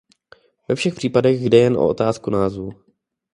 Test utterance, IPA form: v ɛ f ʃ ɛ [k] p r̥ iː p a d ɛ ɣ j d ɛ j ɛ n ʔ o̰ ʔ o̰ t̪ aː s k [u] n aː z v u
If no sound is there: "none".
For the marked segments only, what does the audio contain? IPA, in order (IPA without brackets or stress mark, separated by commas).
x, u